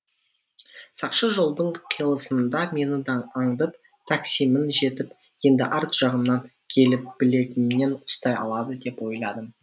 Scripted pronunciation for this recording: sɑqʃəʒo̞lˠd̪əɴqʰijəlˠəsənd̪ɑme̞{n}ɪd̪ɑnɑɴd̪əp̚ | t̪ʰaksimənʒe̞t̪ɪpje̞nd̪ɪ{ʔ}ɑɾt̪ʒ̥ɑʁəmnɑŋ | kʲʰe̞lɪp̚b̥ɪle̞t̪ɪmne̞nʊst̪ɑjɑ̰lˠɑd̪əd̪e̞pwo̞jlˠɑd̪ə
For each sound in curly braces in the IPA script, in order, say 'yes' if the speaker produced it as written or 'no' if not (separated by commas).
yes, yes